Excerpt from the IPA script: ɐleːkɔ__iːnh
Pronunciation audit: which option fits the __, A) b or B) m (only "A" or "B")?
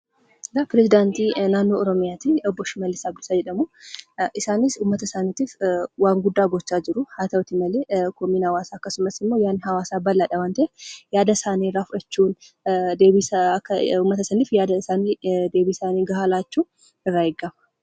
B